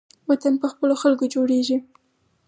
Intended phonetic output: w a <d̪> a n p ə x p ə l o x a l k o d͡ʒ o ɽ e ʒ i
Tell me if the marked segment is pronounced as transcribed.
no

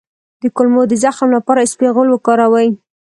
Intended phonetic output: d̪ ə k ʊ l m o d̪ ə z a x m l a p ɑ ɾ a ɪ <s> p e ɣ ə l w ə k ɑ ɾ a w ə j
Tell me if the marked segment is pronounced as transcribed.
yes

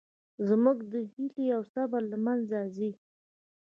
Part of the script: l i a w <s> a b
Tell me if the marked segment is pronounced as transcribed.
yes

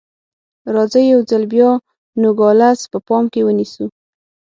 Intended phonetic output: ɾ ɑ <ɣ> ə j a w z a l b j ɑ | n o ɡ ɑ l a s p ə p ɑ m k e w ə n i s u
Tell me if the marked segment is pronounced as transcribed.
no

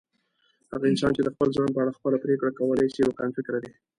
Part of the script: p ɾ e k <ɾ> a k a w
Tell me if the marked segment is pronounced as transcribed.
no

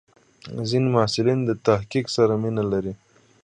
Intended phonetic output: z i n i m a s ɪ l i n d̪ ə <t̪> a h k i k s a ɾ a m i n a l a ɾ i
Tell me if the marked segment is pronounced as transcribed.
yes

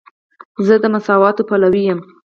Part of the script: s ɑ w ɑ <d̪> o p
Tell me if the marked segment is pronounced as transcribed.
no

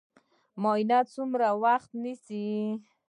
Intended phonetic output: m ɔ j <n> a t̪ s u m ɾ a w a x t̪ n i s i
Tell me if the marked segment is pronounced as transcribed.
yes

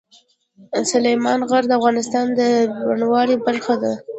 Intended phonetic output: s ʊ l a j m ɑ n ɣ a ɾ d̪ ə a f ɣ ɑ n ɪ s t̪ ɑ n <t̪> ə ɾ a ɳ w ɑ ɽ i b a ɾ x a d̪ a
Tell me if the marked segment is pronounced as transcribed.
no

